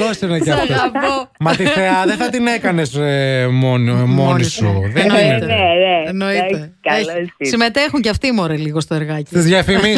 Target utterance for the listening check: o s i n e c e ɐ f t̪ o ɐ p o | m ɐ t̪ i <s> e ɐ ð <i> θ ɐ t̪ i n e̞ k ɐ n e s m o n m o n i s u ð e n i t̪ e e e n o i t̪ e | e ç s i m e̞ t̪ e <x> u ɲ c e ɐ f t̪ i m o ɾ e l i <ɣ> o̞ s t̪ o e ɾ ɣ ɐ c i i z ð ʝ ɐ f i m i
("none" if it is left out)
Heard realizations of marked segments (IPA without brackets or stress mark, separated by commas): θ, e, x, ɣ